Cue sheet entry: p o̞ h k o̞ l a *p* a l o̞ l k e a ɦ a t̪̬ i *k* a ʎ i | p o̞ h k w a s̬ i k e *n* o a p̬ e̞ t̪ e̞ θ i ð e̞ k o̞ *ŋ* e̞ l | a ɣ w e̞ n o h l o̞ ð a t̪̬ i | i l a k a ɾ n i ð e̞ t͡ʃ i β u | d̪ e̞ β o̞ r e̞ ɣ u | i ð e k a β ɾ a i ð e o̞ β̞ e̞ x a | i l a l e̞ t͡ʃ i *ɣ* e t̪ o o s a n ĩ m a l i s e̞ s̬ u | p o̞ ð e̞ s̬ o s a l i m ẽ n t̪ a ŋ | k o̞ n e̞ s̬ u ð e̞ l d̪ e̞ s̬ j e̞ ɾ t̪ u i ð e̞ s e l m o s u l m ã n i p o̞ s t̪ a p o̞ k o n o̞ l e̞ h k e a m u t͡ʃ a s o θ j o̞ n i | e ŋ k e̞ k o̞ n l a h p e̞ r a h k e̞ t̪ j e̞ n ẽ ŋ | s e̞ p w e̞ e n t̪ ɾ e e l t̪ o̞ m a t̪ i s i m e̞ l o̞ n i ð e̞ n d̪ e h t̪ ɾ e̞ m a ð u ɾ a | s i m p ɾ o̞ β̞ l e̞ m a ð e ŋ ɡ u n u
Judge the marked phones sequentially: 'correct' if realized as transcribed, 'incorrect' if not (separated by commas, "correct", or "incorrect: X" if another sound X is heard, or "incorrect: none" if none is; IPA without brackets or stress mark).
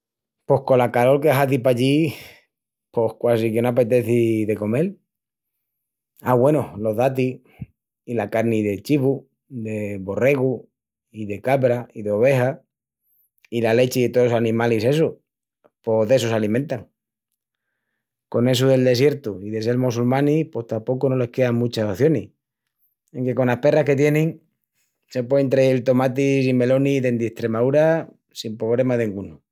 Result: incorrect: k, incorrect: p, correct, incorrect: m, incorrect: ð